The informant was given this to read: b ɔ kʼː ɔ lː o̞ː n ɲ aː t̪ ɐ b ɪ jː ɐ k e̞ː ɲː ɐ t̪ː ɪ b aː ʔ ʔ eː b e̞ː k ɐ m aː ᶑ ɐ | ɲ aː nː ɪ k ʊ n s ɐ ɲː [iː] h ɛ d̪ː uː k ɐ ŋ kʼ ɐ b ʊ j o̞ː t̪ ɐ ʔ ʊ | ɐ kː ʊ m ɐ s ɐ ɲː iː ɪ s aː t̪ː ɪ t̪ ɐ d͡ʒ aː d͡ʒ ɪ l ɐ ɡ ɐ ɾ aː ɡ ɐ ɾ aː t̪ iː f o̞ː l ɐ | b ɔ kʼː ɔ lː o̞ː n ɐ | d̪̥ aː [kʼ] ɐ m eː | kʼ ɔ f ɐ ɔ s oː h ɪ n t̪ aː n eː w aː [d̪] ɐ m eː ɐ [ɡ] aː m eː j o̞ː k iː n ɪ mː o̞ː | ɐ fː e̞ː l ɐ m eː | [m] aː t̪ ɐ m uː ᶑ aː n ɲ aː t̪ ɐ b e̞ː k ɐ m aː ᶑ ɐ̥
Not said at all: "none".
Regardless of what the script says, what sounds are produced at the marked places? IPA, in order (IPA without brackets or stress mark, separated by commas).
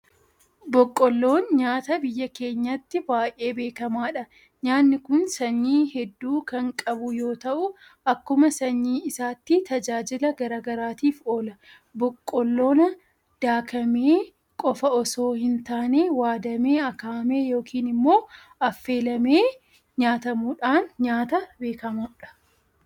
iː, k, d̪, k, ɲ